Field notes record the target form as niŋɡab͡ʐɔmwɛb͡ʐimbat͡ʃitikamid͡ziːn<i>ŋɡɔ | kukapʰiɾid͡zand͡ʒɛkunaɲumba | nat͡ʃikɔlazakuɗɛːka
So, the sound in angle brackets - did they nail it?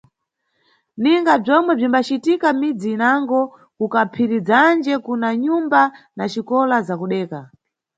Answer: no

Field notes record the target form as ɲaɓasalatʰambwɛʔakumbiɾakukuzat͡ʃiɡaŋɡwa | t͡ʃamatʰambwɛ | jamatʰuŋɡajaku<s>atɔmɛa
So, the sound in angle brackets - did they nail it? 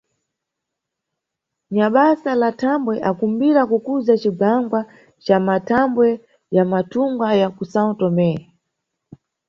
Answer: yes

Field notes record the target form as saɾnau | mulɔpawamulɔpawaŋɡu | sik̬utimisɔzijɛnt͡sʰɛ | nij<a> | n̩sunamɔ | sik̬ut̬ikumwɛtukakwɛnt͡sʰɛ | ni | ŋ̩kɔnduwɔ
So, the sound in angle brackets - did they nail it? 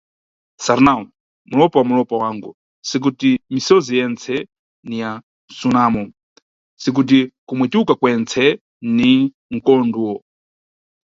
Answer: yes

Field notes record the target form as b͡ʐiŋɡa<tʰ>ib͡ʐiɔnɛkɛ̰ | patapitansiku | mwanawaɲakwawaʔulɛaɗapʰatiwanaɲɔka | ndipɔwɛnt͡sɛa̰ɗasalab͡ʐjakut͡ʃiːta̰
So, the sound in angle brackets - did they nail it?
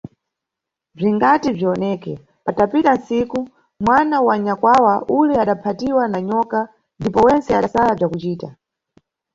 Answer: no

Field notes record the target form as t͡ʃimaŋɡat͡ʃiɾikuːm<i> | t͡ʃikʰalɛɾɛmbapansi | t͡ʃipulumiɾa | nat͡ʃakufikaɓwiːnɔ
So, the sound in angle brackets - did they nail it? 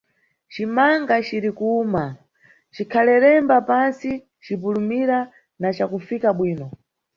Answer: no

